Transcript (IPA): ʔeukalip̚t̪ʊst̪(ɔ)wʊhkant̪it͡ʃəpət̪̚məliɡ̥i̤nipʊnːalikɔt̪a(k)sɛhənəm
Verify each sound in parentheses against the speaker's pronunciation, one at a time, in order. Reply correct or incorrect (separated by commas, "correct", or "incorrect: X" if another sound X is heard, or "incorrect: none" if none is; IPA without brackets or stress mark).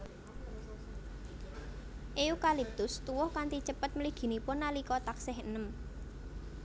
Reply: incorrect: u, correct